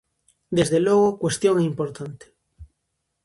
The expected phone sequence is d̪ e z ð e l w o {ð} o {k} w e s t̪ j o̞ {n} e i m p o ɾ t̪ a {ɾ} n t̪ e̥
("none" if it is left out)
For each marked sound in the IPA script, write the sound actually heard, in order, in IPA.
ɣ, k, ŋ, none

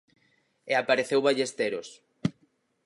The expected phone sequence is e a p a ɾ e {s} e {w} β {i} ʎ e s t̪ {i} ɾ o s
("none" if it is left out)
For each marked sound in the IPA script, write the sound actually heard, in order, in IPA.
θ, w, a, e

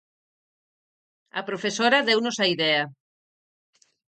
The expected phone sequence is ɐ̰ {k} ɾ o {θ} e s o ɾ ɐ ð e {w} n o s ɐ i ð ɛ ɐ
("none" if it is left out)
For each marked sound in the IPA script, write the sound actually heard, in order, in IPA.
p, f, w

